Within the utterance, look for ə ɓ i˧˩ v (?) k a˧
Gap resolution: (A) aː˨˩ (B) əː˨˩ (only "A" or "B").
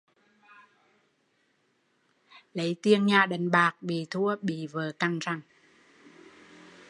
B